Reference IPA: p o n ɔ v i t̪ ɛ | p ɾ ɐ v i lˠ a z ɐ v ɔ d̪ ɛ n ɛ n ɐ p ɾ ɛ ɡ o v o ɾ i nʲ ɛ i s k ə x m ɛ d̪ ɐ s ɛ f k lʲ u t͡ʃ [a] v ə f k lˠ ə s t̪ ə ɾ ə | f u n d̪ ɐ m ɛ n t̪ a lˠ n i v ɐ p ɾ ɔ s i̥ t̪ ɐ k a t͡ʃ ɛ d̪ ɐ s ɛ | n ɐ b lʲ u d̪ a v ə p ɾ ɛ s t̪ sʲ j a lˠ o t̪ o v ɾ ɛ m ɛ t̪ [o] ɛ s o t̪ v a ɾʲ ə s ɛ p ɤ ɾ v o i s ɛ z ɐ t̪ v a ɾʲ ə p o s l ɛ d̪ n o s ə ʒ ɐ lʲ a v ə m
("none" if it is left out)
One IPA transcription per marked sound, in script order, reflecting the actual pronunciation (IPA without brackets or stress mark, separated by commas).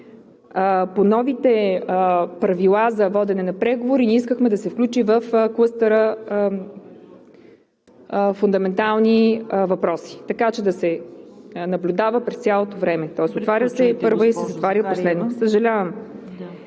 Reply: i, ɔ